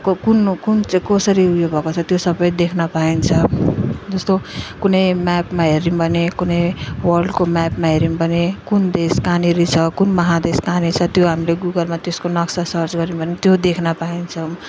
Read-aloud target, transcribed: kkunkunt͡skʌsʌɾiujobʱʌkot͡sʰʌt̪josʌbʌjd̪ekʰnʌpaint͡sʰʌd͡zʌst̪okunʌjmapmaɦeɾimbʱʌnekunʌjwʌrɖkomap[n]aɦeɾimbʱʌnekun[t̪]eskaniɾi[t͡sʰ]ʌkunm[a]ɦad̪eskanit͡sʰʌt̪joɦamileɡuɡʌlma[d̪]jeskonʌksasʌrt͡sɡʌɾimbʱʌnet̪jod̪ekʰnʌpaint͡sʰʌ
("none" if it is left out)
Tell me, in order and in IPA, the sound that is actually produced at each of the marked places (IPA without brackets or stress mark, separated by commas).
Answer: m, d̪, t͡sʰ, ʌ, t̪